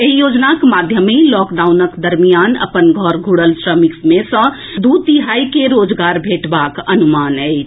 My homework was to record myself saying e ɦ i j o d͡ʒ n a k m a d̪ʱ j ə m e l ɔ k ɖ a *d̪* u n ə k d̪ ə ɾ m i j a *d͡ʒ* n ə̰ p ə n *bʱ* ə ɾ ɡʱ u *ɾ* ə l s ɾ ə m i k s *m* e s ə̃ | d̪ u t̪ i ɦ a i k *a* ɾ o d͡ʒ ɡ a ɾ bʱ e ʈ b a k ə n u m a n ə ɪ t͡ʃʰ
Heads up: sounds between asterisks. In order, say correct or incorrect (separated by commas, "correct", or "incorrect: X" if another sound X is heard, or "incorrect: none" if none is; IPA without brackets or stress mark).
incorrect: none, incorrect: none, incorrect: ɡʱ, incorrect: ɽ, correct, incorrect: e